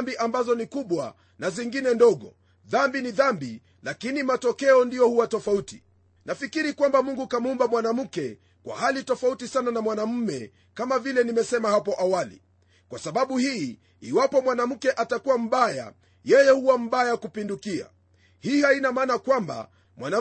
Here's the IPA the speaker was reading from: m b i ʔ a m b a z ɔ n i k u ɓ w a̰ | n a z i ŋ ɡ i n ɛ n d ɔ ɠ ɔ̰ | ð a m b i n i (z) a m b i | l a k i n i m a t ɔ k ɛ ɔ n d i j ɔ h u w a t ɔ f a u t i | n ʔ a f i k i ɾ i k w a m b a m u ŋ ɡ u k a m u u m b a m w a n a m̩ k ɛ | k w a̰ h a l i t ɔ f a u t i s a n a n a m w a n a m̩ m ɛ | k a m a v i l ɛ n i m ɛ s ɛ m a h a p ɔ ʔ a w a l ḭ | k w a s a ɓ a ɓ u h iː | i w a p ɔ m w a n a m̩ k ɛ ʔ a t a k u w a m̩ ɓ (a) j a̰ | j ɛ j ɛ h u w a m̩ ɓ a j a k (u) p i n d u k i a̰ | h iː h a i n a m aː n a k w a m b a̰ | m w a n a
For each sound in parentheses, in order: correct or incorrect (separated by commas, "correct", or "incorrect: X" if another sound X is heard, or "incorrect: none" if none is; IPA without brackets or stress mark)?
incorrect: ð, correct, correct